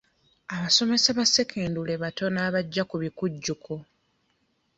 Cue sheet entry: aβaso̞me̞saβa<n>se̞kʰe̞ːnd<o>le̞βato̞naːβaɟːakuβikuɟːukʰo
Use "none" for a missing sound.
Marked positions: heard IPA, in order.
none, u

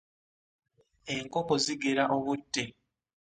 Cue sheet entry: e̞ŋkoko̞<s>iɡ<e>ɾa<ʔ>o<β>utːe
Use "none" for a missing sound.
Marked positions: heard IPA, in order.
z, e, ʔ, β

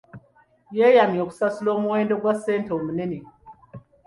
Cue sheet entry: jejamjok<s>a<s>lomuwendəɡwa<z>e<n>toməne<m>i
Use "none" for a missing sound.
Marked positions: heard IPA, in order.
s, s, s, n, n

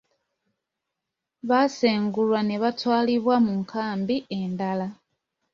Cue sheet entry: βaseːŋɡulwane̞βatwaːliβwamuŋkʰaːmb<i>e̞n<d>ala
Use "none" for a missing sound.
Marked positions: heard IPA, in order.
i, d

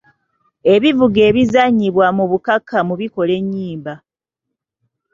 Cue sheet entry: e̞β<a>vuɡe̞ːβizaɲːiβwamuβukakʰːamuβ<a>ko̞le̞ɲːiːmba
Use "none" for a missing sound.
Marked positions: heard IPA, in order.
i, i

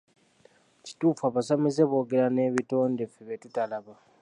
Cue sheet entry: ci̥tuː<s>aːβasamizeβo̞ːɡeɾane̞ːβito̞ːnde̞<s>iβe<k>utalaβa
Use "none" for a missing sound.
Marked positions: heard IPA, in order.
f, f, t

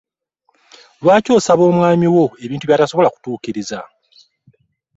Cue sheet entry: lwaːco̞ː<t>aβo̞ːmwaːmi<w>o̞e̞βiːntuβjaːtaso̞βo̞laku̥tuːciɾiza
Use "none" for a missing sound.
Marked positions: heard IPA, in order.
s, w

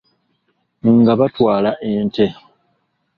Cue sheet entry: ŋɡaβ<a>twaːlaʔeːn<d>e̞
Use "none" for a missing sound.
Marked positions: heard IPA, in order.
a, t

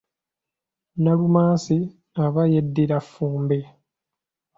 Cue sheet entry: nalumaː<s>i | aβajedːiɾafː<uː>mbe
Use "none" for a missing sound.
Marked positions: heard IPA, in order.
s, uː

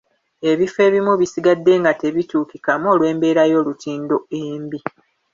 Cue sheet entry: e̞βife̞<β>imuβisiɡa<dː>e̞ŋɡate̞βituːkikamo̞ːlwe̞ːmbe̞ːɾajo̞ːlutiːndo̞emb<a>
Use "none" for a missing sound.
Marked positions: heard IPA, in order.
β, dː, i

